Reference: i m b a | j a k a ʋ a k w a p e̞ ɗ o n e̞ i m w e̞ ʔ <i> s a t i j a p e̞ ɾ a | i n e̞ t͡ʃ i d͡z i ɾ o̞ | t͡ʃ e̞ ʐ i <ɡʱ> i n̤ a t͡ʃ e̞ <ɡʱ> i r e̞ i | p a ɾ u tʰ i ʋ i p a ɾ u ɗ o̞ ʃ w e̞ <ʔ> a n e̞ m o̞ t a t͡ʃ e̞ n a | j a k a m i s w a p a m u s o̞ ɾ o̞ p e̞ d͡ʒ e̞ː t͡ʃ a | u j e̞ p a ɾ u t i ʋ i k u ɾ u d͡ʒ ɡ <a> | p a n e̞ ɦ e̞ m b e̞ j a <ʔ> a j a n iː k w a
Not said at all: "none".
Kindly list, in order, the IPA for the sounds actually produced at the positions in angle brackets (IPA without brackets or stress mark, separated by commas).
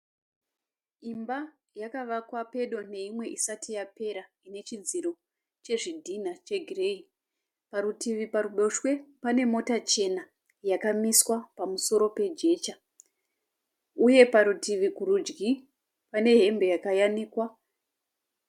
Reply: i, dʱ, ɡʱ, p, i, k